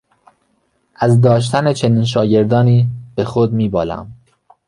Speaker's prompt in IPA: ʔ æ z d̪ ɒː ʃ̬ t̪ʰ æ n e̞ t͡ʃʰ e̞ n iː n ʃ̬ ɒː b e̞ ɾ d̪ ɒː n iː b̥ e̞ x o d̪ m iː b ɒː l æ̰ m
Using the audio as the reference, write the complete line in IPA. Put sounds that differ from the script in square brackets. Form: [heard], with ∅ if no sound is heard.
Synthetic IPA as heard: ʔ æ z d̪ ɒː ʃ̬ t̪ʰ æ n e̞ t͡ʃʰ e̞ n iː n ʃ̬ ɒː [ɟ] e̞ ɾ d̪ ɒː n iː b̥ e̞ x o d̪ m iː b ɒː l æ̰ m